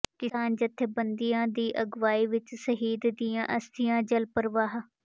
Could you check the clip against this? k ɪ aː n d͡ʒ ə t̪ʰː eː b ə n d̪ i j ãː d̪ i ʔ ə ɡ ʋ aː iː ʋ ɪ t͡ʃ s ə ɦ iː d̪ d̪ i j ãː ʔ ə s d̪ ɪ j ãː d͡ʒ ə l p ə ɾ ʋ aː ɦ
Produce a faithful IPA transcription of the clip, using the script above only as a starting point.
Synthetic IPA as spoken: k ɪ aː n d͡ʒ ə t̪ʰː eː b ə n d̪ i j ãː d̪ iː ʔ ə ɡ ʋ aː iː ʋ ɪ t͡ʃ s ə ɦ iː d̪ d̪ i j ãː ʔ ə s t̪ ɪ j ãː d͡ʒ ə l p ə ɾ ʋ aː ɦ

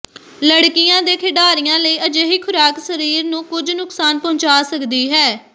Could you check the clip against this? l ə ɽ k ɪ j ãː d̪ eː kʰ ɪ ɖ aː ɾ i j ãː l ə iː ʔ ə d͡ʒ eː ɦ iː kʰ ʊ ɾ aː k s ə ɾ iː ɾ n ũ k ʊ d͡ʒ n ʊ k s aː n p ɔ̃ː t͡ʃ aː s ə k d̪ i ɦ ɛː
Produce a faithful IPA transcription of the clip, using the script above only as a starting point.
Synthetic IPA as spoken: l ə ɽ k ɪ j ãː d̪ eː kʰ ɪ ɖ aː ɾ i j ãː l ə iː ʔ ə d͡ʒ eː ɦ iː kʰ ʊ ɾ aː k s ə ɾ iː ɾ n ũː k ʊ d͡ʒ n ʊ k s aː n p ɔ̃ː t͡ʃ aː s ə k d̪ iː ɦ ɛː

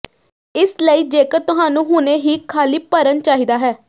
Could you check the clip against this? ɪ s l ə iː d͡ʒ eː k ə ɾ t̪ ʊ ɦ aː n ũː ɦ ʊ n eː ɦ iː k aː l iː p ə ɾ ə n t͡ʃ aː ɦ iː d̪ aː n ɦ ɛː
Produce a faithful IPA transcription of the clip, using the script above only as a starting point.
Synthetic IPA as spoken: ɪ s l ə iː d͡ʒ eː k ə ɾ t̪ ʊ ɦ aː n ũː ɦ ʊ n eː ɦ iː kʰ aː l iː p ə ɾ ə n t͡ʃ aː ɦ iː d̪ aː ɦ ɛː

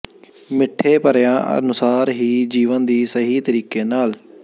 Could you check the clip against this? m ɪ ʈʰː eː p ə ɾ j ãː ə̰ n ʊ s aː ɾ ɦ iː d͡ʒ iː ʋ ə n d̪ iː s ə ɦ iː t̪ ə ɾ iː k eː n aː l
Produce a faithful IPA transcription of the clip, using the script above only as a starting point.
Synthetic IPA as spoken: m ɪ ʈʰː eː p ə ɾ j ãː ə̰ n ʊ s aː ɾ ɦ iː d͡ʒ iː ʋ ə n d̪ iː s ə ɦ iː t̪ ə ɾ iː k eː n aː l

